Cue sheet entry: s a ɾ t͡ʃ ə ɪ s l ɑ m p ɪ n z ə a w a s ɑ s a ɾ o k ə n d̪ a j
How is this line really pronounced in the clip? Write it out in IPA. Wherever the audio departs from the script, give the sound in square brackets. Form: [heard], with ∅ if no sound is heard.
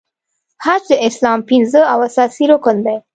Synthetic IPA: [h] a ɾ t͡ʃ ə ɪ s l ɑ m p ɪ n z ə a w a s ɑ s [i] ɾ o k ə n d̪ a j